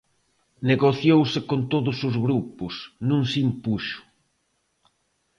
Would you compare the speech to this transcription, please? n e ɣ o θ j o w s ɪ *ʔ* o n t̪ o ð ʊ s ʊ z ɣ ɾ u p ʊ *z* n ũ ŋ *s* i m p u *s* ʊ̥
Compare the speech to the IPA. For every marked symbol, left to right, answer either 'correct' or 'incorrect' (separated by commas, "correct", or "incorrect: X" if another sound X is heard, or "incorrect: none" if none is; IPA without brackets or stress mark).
incorrect: k, incorrect: s, correct, incorrect: ʃ